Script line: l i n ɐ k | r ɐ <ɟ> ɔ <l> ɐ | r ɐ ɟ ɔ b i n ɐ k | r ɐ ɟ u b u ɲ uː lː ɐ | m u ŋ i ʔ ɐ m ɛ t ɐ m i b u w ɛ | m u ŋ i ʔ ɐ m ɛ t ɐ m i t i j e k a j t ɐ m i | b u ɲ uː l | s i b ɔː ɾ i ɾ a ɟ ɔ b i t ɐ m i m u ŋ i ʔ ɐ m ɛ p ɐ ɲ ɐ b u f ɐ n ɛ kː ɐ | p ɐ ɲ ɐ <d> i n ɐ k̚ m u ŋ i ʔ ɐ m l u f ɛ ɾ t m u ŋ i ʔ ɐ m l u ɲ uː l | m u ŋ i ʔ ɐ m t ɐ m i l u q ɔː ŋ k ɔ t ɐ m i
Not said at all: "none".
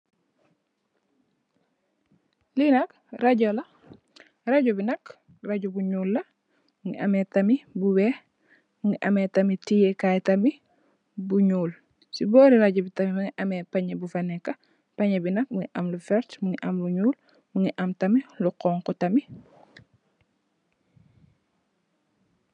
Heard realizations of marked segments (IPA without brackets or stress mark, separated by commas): ɟ, l, b